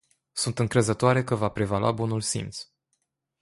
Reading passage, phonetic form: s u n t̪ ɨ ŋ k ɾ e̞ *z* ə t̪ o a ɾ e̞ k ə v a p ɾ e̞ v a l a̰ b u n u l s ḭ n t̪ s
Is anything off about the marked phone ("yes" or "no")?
no